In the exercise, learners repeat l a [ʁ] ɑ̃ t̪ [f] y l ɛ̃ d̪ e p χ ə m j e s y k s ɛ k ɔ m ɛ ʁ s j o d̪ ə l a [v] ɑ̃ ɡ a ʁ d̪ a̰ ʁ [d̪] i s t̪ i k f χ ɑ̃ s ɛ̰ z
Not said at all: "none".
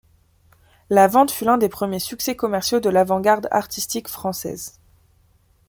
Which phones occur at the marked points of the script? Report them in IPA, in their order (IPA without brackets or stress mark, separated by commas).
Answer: v, f, v, t̪